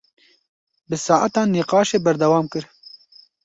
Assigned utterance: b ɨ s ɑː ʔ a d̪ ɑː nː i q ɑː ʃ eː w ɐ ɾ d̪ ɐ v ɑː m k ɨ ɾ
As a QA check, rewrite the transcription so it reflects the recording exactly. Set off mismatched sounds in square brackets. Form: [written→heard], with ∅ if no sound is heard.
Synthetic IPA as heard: b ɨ s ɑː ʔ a [d̪→t̪] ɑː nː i q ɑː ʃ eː [w→b] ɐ ɾ d̪ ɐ [v→w] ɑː m k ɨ ɾ